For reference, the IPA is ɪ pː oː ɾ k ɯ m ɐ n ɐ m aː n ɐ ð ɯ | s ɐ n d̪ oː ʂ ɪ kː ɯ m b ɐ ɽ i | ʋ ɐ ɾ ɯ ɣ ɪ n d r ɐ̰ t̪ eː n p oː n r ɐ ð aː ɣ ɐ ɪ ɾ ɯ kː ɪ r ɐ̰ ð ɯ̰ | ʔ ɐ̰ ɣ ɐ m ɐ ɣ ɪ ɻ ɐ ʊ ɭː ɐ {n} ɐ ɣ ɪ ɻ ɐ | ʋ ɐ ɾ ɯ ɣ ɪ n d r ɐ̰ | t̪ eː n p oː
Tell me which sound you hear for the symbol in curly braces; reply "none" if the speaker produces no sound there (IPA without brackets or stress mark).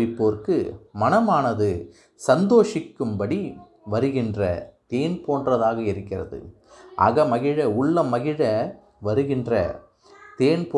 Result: m